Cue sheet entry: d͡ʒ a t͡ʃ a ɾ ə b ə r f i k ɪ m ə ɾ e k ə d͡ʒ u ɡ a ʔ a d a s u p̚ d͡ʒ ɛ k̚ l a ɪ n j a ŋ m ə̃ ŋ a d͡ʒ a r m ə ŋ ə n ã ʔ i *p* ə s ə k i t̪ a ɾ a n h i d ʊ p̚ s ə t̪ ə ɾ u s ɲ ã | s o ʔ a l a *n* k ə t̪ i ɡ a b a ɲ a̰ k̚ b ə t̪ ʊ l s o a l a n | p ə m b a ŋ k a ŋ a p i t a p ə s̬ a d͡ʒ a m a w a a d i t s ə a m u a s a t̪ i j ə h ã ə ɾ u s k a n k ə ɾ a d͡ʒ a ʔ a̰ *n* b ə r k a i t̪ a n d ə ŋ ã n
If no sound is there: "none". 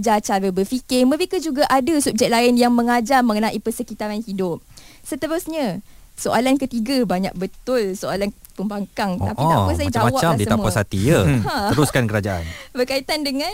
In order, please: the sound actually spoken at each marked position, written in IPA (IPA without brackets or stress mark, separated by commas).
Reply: p, n, n